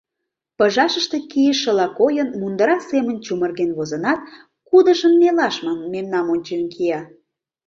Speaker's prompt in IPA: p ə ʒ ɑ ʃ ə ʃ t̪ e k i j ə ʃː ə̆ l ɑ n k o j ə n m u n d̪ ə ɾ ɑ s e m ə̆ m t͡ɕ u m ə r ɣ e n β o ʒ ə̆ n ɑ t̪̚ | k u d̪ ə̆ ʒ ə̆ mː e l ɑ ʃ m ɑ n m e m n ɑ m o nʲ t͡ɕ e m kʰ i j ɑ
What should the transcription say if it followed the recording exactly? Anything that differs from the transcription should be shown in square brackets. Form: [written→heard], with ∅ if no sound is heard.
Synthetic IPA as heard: p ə ʒ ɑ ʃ ə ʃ t̪ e k i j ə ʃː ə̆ l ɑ [n→∅] k o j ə n m u n d̪ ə ɾ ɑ s e m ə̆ [m→n] t͡ɕ u m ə r ɣ e n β o [ʒ→z] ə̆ n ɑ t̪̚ | k u d̪ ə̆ ʒ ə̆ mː e l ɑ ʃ m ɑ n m e m n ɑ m o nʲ t͡ɕ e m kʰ i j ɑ

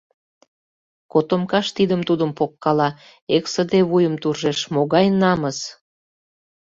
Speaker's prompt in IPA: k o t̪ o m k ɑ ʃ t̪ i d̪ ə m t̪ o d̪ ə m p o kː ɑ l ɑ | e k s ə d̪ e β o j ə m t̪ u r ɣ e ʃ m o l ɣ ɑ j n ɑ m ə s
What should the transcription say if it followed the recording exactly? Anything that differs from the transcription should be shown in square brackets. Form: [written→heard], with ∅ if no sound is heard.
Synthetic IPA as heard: k o t̪ o m k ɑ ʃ t̪ i d̪ ə m t̪ [o→u] d̪ ə m p o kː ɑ l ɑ | e k s ə d̪ e β [o→u] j ə m t̪ u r [ɣ→ʒ] e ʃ m o [l→∅] ɣ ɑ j n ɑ m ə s

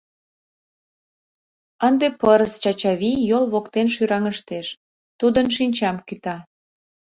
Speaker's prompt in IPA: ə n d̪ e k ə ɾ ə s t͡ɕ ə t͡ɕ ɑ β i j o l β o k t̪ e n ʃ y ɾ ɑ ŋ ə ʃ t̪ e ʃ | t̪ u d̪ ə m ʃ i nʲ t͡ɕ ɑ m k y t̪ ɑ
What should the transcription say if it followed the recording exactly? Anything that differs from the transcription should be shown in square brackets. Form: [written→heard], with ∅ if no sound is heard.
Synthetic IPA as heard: ə n d̪ e [k→p] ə ɾ ə s t͡ɕ [ə→ɑ] t͡ɕ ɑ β i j o l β o k t̪ e n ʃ y ɾ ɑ ŋ ə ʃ t̪ e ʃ | t̪ u d̪ ə [m→n] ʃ i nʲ t͡ɕ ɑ m k y t̪ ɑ

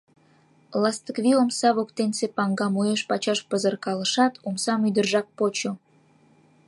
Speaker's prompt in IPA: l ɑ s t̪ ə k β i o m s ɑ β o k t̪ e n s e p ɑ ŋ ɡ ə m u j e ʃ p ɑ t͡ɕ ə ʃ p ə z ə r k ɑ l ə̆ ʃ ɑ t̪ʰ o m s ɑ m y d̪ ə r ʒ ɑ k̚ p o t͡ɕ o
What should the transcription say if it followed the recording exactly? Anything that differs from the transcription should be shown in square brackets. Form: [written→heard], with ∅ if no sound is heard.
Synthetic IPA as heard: l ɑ s t̪ ə k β i o m s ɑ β o k t̪ e n s e p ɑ ŋ ɡ [ə→ɑ] m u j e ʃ p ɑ t͡ɕ [ə→ɑ] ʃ p ə z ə r k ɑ l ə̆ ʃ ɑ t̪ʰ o m s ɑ m y d̪ ə r ʒ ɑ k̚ p o t͡ɕ o

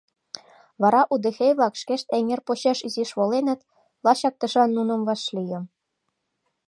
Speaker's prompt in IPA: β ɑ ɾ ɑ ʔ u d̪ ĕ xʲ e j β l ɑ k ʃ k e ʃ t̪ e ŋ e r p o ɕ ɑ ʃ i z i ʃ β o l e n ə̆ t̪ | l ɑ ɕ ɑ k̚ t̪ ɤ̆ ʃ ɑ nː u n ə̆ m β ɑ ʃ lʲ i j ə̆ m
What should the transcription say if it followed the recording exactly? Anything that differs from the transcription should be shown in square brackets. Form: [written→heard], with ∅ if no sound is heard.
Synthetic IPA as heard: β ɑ ɾ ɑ ʔ u d̪ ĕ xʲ e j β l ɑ k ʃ k e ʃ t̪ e ŋ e r p o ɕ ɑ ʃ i z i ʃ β o l e n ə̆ t̪ | l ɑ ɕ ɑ k̚ t̪ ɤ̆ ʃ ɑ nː u n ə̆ m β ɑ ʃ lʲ i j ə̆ m

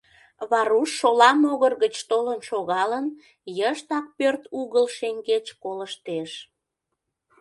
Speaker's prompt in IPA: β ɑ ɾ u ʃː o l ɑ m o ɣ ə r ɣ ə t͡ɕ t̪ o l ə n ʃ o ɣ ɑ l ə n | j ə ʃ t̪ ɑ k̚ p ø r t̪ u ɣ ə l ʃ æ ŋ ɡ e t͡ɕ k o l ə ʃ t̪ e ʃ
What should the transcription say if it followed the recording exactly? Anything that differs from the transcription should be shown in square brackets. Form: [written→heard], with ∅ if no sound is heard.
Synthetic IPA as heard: β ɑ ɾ u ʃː o l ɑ m o ɣ ə r ɣ ə t͡ɕ t̪ o l ə n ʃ o ɣ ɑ l ə n | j ə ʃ t̪ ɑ k̚ p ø r t̪ u ɣ ə l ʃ [æ→e] ŋ ɡ e t͡ɕ k o l ə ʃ t̪ e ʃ

